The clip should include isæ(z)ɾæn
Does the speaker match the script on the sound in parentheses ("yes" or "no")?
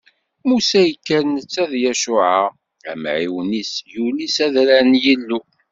no